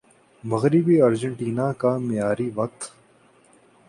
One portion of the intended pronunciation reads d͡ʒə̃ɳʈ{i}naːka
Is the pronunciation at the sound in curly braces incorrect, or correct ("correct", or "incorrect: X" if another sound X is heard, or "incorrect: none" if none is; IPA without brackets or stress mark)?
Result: incorrect: iː